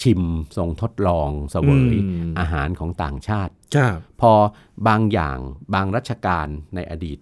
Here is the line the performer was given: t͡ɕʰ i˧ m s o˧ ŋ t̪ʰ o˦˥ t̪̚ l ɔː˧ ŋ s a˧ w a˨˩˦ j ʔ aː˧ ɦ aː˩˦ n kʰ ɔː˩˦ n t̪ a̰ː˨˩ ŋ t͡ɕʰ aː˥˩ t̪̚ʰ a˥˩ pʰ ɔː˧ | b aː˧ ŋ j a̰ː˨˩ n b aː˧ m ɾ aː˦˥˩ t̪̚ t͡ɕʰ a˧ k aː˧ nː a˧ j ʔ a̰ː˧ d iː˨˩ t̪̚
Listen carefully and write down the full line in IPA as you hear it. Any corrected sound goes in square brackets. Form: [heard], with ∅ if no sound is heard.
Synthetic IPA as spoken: t͡ɕʰ i˧ m s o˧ ŋ t̪ʰ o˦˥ t̪̚ l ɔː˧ ŋ s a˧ w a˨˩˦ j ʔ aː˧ ɦ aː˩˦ n kʰ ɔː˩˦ [ŋ] t̪ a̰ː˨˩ ŋ t͡ɕʰ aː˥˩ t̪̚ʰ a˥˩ pʰ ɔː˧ | b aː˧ ŋ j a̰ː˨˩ [ŋ] b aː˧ [ŋ] ɾ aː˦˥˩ t̪̚ t͡ɕʰ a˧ k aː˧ nː a˧ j ʔ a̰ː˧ d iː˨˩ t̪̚